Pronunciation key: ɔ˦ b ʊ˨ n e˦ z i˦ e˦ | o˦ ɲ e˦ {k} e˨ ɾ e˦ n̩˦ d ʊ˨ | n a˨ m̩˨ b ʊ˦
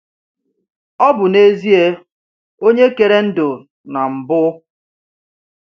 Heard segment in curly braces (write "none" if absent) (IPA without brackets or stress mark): k